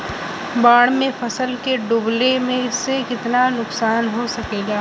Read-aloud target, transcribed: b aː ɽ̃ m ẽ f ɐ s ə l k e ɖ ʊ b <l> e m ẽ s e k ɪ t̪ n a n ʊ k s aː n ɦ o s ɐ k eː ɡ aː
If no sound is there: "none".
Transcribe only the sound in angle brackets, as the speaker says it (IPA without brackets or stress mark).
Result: l